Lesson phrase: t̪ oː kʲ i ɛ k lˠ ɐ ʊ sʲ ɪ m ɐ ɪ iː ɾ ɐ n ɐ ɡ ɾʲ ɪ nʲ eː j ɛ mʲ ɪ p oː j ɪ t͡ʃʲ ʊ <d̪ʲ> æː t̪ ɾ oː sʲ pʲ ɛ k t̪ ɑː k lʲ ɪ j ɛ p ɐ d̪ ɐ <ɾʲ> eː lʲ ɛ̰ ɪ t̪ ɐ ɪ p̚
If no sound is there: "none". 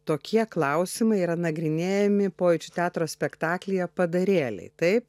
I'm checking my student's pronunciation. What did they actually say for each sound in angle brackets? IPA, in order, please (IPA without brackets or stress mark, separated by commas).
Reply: t̪ʲ, ɾʲ